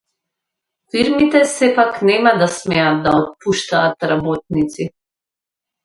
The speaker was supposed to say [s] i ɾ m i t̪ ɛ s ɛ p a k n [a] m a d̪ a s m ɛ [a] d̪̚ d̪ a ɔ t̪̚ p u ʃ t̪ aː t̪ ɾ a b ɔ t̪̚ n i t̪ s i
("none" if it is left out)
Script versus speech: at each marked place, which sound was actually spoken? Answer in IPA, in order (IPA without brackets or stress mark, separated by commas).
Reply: f, ɛ, a